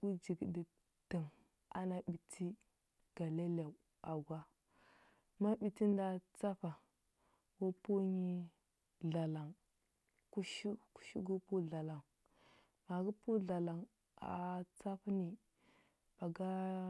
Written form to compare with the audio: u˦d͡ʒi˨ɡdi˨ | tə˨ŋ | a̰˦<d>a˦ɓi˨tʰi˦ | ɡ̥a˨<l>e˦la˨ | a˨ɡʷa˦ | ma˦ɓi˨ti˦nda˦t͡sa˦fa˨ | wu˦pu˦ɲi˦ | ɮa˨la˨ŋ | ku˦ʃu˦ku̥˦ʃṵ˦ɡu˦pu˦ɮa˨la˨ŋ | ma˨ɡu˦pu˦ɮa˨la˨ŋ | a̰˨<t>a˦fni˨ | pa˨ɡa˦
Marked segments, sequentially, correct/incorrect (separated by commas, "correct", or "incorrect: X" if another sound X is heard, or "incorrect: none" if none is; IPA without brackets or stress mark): incorrect: n, correct, incorrect: t͡s